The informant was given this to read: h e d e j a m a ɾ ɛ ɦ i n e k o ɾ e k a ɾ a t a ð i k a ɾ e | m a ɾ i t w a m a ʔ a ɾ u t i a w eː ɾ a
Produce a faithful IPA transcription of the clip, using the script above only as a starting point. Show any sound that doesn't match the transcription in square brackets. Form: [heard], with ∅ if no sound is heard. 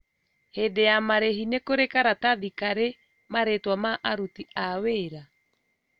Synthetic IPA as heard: h e d e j a m a ɾ [e] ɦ i n e k o ɾ e k a ɾ a t a ð i k a ɾ e | m a ɾ [e] t w a m a ʔ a ɾ u t i a w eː ɾ a